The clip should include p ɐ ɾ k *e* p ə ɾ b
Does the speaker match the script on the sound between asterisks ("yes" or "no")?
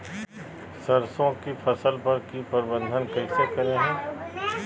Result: no